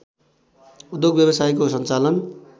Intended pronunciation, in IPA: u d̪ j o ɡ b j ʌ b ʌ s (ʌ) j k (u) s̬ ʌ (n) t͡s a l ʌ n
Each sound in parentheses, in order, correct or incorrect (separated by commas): incorrect, incorrect, correct